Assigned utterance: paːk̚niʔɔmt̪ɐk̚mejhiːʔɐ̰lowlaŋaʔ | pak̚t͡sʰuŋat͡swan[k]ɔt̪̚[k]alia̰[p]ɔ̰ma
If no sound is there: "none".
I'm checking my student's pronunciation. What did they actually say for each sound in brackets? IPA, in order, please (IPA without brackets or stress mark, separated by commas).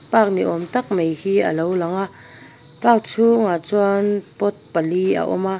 p, p, ʔ